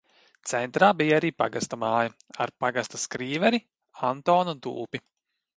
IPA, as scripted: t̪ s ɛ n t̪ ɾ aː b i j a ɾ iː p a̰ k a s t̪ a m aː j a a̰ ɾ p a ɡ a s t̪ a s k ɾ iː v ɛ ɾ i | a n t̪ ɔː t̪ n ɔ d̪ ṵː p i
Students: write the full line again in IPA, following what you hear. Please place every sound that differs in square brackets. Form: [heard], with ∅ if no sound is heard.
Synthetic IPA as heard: t̪ s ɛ n t̪ ɾ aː b i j a ɾ iː p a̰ [ɡ] a s t̪ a m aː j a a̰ ɾ p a ɡ a s t̪ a s k ɾ iː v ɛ ɾ i | a n t̪ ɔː [∅] n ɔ d̪ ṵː p i